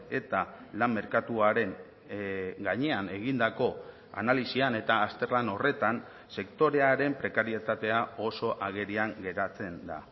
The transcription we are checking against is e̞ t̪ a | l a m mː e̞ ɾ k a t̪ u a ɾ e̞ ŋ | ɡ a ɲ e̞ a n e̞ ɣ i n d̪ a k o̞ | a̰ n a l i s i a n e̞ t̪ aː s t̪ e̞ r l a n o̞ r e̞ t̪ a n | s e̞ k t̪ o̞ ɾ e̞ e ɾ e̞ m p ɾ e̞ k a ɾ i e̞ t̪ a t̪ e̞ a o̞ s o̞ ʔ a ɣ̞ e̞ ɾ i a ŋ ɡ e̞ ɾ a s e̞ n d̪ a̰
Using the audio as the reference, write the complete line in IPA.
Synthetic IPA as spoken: e̞ t̪ a | l a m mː e̞ ɾ k a t̪ u a ɾ e̞ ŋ | ɡ a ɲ e̞ a n e̞ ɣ i n d̪ a k o̞ | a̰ n a l i s i a n e̞ t̪ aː s t̪ e̞ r l a n o̞ r e̞ t̪ a n | s e̞ k t̪ o̞ ɾ e̞ a ɾ e̞ m p ɾ e̞ k a ɾ i e̞ t̪ a t̪ e̞ a o̞ s o̞ ʔ a ɣ̞ e̞ ɾ i a ŋ ɡ e̞ ɾ a t͡s e̞ n d̪ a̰

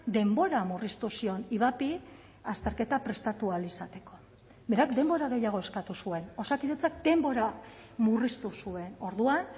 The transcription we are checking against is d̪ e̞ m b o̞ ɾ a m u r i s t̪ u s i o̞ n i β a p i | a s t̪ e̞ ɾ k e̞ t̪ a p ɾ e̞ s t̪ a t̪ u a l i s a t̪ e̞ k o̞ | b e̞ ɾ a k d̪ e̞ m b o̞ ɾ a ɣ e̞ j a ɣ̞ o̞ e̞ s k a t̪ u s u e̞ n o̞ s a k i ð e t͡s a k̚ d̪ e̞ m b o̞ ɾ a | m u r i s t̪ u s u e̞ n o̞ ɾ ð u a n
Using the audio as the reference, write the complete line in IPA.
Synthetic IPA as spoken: d̪ e̞ m b o̞ ɾ a m u r i s t̪ u s i o̞ n i β a p i | a s t̪ e̞ ɾ k e̞ t̪ a p ɾ e̞ s t̪ a t̪ u a l i s a t̪ e̞ k o̞ | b e̞ ɾ a k d̪ e̞ m b o̞ ɾ a ɣ e̞ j a ɣ̞ o̞ e̞ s k a t̪ u s u e̞ n o̞ s a k i ð e t͡s a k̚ d̪ e̞ m b o̞ ɾ a | m u r i s t̪ u s u e̞ n o̞ ɾ ð u a n

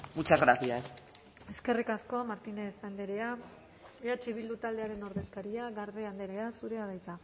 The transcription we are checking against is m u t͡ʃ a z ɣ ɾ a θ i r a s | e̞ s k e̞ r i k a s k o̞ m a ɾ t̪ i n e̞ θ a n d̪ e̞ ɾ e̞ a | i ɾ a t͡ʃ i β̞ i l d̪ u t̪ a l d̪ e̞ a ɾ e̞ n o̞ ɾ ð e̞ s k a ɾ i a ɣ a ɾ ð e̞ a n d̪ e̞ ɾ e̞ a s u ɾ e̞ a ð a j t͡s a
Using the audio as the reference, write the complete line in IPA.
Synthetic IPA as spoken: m u t͡ʃ a z ɣ ɾ a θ i a s | e̞ s k e̞ r i k a s k o̞ m a ɾ t̪ i n e̞ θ a n d̪ e̞ ɾ e̞ a | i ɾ a t͡ʃ i β̞ i l d̪ u t̪ a l d̪ e̞ a ɾ e̞ n o̞ ɾ ð e̞ s k a ɾ i a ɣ a ɾ ð e̞ a n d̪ e̞ ɾ e̞ a s u ɾ e̞ a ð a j t͡s a

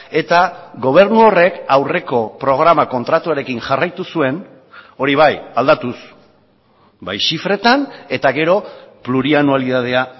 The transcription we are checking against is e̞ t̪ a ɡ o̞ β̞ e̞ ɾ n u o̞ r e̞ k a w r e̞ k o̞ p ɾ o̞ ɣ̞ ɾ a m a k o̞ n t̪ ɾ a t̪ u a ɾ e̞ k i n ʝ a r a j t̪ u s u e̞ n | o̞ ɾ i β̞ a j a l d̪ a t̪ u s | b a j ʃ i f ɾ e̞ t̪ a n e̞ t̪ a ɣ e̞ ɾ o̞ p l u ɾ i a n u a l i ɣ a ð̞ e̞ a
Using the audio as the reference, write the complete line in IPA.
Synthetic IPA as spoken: e̞ t̪ a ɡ o̞ β̞ e̞ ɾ n u o̞ r e̞ k a w r e̞ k o̞ p ɾ o̞ ɣ̞ ɾ a m a k o̞ n t̪ ɾ a t̪ u a ɾ e̞ k i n ʝ a r a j t̪ u s u e̞ n | o̞ ɾ i β̞ a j a l d̪ a t̪ u s | b a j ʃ i f ɾ e̞ t̪ a n e̞ t̪ a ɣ e̞ ɾ o̞ p l u ɾ i a n u a l i ð a ð̞ e̞ a

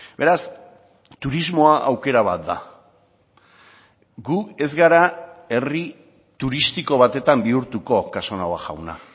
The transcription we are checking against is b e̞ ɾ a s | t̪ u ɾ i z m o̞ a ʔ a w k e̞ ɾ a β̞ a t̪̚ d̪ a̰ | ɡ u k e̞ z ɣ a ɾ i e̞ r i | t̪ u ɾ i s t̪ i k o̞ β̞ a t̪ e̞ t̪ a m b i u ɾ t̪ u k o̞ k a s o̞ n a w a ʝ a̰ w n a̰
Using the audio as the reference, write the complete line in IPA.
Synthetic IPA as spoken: b e̞ ɾ a s | t̪ u ɾ i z m o̞ a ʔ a w k e̞ ɾ a β̞ a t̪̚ d̪ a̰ | ɡ u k e̞ z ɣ a ɾ a e̞ r i | t̪ u ɾ i s t̪ i k o̞ β̞ a t̪ e̞ t̪ a m b i u ɾ t̪ u k o̞ k a s o̞ n a w a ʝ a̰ w n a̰

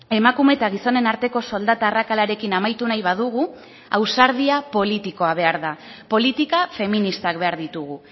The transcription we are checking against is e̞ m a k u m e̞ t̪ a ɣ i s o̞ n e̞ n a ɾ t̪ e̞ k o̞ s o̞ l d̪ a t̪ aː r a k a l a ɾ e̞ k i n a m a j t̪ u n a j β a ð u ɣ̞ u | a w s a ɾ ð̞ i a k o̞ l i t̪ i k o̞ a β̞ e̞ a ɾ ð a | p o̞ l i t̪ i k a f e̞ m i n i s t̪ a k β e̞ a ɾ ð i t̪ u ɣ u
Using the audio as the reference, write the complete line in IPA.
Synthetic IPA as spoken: e̞ m a k u m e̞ t̪ a ɣ i s o̞ n e̞ n a ɾ t̪ e̞ k o̞ s o̞ l d̪ a t̪ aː r a k a l a ɾ e̞ k i n a m a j t̪ u n a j β a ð u ɣ̞ u | a w s a ɾ ð̞ i a p o̞ l i t̪ i k o̞ a β̞ e̞ a ɾ ð a | p o̞ l i t̪ i k a f e̞ m i n i s t̪ a k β e̞ a ɾ ð i t̪ u ɣ u

